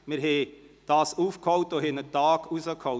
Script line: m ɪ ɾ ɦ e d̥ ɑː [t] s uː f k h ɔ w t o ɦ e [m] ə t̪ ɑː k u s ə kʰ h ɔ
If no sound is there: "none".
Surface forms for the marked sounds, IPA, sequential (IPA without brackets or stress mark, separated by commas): none, n